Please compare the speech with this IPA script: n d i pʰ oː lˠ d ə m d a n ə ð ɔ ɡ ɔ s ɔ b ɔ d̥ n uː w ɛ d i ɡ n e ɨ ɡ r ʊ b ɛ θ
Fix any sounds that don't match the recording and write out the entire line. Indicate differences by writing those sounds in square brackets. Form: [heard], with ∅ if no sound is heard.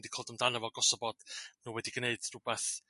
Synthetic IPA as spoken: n d i [kʰ] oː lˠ d ə m d a n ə [v] ɔ ɡ ɔ s ɔ b ɔ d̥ n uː w ɛ d i ɡ n e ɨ [d] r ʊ b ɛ θ

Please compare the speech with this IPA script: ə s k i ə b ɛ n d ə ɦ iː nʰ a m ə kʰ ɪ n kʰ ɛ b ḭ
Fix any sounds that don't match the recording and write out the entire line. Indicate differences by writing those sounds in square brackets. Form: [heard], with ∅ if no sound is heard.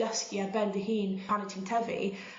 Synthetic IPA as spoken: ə s k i [a] b ɛ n d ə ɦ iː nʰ a [n] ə [tʰ] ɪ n [tʰ] ɛ [v] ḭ

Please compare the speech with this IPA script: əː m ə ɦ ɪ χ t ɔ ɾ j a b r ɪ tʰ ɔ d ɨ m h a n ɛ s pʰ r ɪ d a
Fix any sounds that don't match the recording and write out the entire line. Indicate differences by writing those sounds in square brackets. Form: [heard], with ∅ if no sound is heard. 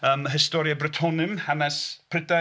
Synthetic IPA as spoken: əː m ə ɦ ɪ [s] t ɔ ɾ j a b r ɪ tʰ ɔ [n] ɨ m h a n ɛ s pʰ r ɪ d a

